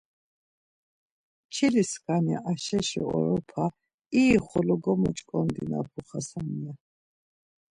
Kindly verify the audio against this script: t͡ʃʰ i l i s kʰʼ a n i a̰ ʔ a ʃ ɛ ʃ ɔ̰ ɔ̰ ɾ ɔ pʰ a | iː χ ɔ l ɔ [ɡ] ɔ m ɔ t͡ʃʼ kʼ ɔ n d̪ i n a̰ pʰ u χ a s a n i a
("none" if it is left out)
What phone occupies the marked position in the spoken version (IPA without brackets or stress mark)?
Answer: ɡ